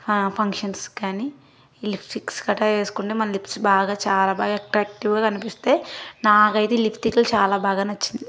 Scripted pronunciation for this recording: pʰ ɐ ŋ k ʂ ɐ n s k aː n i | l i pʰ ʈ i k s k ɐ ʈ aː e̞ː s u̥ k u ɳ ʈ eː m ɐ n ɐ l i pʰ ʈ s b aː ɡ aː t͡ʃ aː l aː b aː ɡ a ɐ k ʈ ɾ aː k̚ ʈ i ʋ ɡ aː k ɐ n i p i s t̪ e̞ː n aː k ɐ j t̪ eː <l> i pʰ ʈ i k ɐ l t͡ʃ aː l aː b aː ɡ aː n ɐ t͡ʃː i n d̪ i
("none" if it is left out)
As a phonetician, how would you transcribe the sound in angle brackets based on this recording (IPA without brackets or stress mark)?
l